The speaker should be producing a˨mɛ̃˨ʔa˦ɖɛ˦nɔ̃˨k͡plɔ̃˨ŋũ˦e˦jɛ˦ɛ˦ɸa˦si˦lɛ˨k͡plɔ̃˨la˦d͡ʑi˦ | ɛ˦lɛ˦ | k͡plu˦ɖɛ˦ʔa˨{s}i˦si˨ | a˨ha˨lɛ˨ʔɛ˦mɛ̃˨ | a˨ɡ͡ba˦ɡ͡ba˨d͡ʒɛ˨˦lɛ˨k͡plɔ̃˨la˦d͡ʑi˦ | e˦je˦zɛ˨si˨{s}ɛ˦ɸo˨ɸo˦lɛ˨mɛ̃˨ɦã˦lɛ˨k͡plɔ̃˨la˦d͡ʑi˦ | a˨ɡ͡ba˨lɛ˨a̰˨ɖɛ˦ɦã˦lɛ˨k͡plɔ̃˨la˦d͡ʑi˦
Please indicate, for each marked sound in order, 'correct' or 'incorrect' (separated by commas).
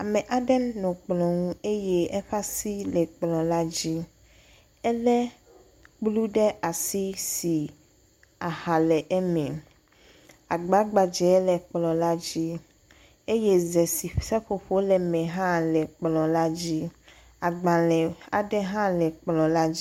correct, correct